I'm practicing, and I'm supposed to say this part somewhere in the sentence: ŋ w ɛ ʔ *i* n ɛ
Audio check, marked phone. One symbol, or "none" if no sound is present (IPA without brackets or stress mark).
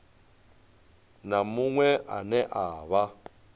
a